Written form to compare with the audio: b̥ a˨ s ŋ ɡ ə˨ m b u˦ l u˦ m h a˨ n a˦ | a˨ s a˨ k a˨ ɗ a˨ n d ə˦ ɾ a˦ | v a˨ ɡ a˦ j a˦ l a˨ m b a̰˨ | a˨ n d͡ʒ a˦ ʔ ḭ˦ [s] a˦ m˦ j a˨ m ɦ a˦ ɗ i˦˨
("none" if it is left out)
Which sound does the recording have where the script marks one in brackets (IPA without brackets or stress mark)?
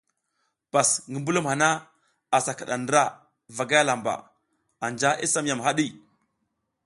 s